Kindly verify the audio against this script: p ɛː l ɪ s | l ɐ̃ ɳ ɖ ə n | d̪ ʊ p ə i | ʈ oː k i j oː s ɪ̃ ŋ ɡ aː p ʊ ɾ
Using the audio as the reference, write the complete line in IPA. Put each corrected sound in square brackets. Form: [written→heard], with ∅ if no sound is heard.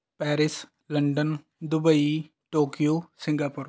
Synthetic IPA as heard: p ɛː [l→ɾ] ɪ s | l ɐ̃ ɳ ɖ ə n | d̪ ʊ [p→b] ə i | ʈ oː k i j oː s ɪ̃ ŋ ɡ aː p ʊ ɾ